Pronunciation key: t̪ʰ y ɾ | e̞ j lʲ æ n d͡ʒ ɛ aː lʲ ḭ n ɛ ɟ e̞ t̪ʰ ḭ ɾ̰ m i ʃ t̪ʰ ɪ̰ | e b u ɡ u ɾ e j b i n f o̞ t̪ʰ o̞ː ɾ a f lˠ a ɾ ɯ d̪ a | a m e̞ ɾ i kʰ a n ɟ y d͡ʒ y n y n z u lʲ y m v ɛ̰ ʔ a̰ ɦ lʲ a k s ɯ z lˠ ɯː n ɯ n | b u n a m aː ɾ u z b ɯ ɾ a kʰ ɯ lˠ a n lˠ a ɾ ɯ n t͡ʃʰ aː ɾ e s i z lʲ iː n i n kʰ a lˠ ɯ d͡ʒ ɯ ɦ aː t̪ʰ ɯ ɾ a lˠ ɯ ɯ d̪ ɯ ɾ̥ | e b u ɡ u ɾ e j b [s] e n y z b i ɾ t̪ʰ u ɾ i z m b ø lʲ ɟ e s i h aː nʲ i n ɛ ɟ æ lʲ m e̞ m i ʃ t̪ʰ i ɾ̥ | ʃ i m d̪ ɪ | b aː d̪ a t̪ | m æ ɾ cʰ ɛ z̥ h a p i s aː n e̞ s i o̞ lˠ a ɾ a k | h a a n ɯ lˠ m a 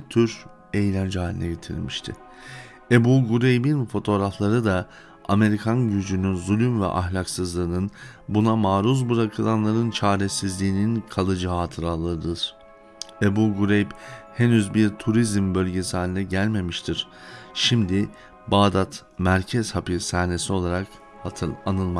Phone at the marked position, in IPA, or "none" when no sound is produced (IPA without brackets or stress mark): h